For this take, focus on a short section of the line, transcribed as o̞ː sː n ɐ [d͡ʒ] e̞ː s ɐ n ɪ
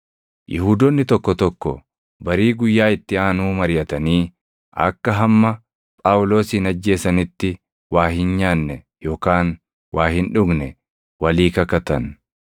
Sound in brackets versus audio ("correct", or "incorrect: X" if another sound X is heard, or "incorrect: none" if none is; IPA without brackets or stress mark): incorrect: d͡ʒː